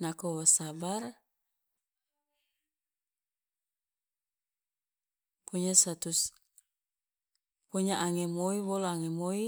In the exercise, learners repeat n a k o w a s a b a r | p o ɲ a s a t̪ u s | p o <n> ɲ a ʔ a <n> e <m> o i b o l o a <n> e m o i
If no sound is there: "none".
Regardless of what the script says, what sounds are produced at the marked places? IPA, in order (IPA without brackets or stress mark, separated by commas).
none, ŋ, m, ŋ